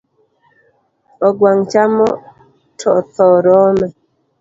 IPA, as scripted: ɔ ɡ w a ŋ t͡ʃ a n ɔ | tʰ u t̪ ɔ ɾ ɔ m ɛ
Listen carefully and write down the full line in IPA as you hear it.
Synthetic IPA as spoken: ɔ ɡ w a ŋ t͡ʃ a m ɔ | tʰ ɔ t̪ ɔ ɾ ɔ m ɛ

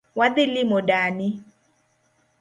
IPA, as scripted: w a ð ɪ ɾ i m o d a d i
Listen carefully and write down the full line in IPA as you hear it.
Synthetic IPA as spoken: w a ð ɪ l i m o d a n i

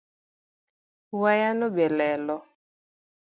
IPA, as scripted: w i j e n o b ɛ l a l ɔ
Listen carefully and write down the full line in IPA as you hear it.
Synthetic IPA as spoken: w a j a n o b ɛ l ɛ l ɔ

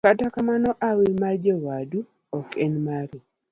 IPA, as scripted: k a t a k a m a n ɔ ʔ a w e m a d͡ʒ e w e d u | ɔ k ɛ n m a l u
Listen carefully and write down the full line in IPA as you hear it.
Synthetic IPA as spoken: k a t a k a m a n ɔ ʔ a w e m a d͡ʒ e w a d u | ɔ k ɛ n m a ɾ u

